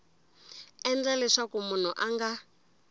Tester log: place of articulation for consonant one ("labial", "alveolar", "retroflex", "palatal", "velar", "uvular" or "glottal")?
alveolar